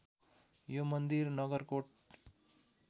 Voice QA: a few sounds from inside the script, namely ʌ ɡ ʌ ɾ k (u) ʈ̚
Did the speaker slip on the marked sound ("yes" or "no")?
yes